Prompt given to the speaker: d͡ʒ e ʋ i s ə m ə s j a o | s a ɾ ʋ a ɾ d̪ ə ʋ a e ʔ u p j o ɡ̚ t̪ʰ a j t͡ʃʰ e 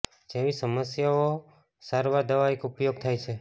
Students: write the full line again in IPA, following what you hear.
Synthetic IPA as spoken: d͡ʒ e ʋ i s ə m ə s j a o | s a ɾ ʋ a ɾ d̪ ə ʋ a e k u p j o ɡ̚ t̪ʰ a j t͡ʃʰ e